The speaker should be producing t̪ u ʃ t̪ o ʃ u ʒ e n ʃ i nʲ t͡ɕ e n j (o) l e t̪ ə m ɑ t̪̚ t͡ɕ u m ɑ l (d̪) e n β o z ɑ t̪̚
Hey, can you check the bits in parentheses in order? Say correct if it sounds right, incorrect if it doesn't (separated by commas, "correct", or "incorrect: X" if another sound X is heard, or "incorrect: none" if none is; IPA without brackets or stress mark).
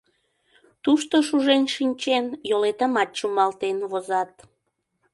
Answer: correct, incorrect: t̪